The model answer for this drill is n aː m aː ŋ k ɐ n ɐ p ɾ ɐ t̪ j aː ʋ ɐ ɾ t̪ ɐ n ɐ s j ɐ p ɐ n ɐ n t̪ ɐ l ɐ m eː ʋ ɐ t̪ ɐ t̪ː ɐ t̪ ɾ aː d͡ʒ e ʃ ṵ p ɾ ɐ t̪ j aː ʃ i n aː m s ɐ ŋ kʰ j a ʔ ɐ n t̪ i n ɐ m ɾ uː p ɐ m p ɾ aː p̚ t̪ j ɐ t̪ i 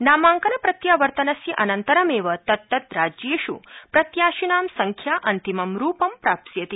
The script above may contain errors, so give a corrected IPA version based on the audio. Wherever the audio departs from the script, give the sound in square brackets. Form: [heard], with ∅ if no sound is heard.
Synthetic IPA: n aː m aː ŋ k ɐ n ɐ p ɾ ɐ t̪ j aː ʋ ɐ ɾ t̪ ɐ n ɐ s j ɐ [ʔ] ɐ n ɐ n t̪ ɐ [ɾ] ɐ m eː ʋ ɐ t̪ ɐ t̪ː ɐ t̪ ɾ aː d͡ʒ e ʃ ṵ p ɾ ɐ t̪ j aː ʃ i n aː m s ɐ ŋ kʰ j a ʔ ɐ n t̪ i [m] ɐ m ɾ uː p ɐ m p ɾ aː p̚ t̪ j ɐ t̪ i